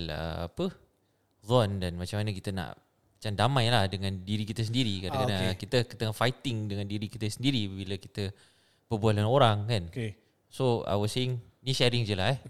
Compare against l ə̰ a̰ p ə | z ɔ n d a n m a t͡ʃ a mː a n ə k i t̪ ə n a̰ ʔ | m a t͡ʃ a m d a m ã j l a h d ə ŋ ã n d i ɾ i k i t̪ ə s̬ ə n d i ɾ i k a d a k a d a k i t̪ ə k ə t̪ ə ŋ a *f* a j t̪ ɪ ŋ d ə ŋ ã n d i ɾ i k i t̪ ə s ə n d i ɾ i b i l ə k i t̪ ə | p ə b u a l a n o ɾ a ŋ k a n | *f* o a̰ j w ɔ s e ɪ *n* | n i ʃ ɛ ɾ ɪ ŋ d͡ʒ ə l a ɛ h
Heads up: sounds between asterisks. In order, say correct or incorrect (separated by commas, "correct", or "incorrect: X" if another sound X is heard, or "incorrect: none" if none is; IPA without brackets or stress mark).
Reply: correct, incorrect: s, incorrect: ŋ